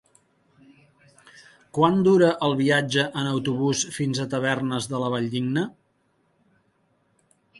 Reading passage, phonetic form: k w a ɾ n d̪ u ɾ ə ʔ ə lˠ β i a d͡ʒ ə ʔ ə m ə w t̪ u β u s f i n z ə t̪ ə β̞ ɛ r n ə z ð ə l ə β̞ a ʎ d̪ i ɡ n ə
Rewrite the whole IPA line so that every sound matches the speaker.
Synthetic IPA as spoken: k w a n d̪ u ɾ ə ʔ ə lˠ β i a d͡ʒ ə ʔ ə n ə w t̪ u β u s f i n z ə t̪ ə β̞ ɛ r n ə z ð ə l ə β̞ a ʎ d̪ i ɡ n ə